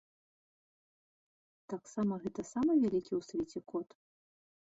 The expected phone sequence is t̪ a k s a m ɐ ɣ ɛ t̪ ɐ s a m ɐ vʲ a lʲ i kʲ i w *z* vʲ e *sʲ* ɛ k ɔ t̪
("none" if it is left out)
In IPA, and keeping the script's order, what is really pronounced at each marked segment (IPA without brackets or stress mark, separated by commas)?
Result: s, t͡sʲ